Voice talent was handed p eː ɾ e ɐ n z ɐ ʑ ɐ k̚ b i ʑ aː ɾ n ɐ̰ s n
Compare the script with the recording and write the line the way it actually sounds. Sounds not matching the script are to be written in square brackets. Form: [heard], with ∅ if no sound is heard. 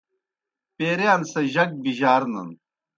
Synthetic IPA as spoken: p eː ɾ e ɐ n [s] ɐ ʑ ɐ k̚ b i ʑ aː ɾ n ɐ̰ [∅] n